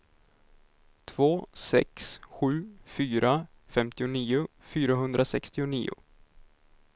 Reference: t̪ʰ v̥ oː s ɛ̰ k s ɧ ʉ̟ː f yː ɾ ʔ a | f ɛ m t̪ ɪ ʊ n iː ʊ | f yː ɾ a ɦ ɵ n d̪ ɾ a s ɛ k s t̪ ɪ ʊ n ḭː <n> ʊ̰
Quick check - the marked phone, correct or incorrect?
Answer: incorrect: none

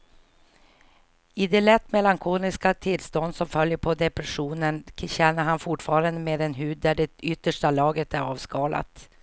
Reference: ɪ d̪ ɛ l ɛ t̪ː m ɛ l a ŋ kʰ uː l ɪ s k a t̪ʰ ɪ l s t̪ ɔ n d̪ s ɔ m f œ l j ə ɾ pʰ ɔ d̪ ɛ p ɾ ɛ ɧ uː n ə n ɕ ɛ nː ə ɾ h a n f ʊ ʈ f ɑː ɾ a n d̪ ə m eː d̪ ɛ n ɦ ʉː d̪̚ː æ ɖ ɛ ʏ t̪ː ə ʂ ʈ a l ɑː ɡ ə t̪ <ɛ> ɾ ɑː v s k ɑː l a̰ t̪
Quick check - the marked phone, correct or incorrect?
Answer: incorrect: æ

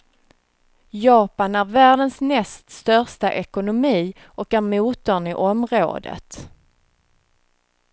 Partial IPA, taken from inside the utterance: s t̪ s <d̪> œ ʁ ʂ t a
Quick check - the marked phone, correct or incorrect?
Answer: incorrect: t̪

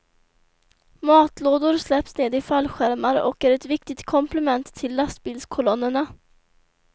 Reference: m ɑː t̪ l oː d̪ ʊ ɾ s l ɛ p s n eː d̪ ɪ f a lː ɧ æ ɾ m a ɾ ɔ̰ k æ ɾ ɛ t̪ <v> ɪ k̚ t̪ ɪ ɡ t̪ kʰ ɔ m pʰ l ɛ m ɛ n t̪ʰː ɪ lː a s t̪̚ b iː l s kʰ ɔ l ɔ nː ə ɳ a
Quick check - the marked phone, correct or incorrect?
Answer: correct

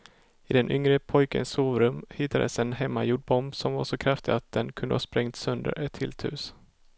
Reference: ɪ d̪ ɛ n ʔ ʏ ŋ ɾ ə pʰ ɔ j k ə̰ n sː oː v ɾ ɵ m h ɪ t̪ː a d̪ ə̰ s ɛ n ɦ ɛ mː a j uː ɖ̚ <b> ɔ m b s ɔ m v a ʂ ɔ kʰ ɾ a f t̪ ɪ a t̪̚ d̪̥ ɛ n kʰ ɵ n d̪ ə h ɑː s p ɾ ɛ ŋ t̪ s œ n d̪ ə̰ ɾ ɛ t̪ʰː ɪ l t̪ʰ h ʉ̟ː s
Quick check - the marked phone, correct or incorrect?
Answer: correct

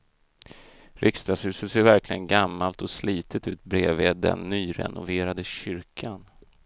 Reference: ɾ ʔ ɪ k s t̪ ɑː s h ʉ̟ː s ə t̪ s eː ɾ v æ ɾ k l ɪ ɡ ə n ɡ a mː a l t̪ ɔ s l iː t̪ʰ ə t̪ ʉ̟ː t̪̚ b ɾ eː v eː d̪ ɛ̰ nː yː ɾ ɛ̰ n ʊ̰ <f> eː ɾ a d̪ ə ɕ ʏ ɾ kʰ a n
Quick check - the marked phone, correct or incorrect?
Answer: incorrect: v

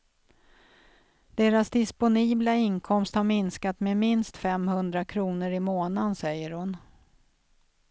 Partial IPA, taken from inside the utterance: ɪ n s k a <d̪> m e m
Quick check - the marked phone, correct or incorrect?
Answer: incorrect: t̪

